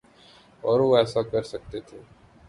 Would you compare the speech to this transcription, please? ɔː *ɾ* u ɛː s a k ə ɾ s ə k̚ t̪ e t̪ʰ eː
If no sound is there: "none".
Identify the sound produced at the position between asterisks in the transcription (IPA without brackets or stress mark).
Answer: ɾ